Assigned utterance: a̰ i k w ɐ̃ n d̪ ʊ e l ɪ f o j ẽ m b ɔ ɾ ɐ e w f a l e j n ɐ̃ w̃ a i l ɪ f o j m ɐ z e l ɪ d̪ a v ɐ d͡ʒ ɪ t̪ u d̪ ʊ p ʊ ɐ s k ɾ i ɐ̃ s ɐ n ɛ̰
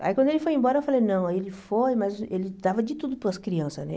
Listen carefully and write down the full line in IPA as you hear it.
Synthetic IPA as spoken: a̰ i k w ɐ̃ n d̪ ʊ e l ɪ f o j ẽ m b ɔ ɾ ɐ e w f a l e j n ɐ̃ w̃ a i l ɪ f o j m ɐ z e l ɪ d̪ a v ɐ d͡ʒ ɪ t̪ u d̪ ʊ p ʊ ɐ s k ɾ i ɐ̃ s ɐ n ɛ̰